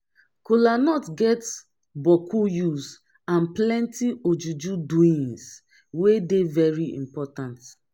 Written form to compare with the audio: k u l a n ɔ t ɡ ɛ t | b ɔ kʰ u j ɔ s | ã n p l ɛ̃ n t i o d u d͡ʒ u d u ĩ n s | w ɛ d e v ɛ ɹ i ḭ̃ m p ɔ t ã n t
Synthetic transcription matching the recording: k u l a n ɔ t ɡ ɛ t | b ɔ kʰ u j u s | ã n p l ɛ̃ n t i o d͡ʒ u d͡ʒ u d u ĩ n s | w e d e v ɛ ɹ i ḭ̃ m p ɔ t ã n t